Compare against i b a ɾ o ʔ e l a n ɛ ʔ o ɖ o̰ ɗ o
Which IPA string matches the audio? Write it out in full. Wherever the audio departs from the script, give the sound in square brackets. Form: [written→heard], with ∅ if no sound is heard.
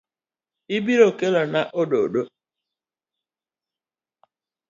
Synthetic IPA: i b [a→i] ɾ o [ʔ→k] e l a n [ɛ→a] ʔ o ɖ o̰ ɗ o